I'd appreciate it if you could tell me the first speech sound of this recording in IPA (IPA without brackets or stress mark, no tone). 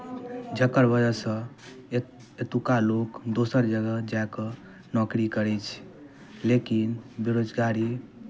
d͡ʒ